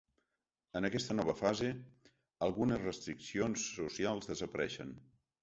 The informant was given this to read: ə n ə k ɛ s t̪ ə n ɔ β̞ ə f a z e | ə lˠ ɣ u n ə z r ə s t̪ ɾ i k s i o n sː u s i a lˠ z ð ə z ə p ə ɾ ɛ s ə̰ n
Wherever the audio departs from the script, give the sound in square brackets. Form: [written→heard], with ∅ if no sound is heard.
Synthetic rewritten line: ə n ə k ɛ s t̪ ə n ɔ β̞ ə f a z e | ə lˠ ɣ u n ə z r ə s t̪ ɾ i k s i o n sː u s i a lˠ z ð ə z ə p ə ɾ ɛ [s→ʃ] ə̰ n